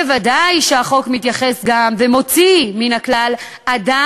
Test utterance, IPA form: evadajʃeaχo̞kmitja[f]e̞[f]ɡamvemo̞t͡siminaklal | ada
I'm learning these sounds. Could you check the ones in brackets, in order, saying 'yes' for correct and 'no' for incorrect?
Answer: no, no

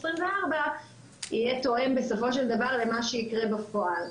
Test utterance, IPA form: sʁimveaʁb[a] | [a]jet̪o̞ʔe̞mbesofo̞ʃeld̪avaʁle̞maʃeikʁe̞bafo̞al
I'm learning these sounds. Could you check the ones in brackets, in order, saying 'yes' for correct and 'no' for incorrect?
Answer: yes, no

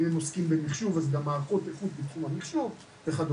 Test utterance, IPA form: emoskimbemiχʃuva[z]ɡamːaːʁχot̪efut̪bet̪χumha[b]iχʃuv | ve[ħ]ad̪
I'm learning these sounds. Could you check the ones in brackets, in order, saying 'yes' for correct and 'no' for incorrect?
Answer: yes, no, no

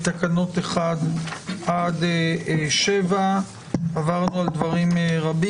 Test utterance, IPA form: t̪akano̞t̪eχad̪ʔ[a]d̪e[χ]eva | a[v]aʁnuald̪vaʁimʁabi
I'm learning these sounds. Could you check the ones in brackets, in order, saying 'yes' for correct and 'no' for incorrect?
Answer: yes, no, yes

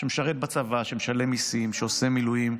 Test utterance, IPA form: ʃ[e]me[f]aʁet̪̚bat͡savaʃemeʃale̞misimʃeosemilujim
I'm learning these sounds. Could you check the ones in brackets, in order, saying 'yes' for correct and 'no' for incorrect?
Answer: yes, no

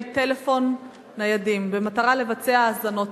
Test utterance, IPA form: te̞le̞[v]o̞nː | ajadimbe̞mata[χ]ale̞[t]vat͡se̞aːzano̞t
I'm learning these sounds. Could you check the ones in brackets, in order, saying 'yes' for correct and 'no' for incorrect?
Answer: no, no, no

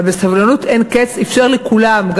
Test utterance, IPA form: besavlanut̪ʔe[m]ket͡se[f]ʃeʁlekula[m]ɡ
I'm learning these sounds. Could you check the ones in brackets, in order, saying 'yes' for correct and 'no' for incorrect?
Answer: no, yes, yes

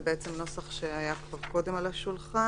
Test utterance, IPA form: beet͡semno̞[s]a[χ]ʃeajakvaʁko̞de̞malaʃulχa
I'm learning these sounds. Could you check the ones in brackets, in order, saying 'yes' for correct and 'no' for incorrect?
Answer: yes, yes

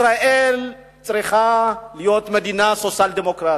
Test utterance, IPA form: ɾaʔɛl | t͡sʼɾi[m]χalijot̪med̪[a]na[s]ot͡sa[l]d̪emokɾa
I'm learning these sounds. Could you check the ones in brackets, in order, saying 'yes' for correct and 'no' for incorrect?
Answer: no, no, yes, yes

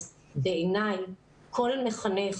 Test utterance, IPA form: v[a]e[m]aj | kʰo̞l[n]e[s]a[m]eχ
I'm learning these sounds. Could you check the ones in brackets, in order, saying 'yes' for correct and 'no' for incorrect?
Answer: no, no, no, no, no

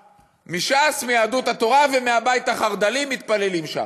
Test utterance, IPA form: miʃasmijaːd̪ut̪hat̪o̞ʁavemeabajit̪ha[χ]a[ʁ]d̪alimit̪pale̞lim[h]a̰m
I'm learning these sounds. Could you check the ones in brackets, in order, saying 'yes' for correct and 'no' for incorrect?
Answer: yes, yes, no

